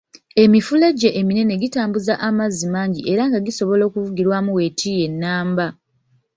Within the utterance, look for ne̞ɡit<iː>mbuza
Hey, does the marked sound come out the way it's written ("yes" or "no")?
no